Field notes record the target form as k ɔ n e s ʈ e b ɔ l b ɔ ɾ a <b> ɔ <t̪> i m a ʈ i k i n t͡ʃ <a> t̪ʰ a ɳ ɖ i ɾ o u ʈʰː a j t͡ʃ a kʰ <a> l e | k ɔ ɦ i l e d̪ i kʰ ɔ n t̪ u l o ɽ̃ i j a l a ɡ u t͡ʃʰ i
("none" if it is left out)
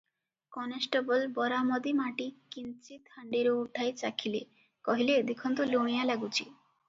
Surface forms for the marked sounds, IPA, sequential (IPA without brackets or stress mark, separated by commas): m, d̪, i, i